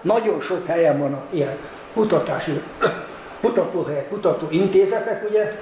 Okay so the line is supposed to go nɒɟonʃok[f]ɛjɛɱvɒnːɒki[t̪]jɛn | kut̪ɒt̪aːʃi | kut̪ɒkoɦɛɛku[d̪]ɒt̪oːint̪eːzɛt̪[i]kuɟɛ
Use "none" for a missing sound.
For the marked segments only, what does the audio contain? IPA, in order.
h, none, t̪, ɛ

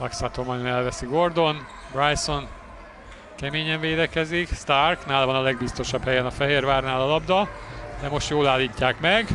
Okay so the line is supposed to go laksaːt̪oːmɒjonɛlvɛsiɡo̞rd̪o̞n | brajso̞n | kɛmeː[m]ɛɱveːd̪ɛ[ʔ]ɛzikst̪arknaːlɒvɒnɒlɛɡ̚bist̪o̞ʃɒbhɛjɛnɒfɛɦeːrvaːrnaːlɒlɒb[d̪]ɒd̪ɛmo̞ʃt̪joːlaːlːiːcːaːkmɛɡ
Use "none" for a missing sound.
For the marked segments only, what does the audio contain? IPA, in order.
ɲ, k, d̪

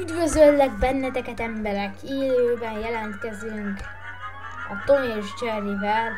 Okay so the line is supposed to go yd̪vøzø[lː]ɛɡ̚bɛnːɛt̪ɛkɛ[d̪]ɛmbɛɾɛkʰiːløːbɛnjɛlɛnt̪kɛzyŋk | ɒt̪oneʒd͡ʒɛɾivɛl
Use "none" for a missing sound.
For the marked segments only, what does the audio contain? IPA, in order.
lː, t̪

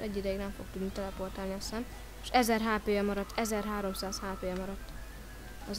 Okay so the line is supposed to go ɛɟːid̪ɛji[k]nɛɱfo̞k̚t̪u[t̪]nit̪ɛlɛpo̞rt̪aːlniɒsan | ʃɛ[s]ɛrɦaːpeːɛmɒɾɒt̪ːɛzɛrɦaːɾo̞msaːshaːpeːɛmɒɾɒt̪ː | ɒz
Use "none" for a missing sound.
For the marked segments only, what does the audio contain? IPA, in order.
ɡ, d̪, z

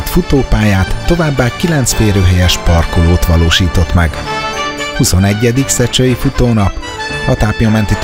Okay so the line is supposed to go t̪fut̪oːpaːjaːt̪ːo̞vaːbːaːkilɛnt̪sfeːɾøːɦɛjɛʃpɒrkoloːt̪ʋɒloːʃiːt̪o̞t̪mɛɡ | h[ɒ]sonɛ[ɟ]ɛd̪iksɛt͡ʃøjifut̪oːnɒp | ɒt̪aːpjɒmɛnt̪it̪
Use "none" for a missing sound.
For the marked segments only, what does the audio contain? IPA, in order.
u, ɟː

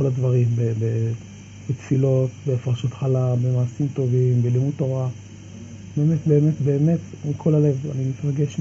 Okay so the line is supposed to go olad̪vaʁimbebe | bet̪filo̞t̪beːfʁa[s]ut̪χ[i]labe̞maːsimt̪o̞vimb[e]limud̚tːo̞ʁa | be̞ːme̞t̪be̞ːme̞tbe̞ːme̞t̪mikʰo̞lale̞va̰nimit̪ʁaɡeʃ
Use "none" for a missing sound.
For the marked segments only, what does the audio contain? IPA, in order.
ʃ, a, e

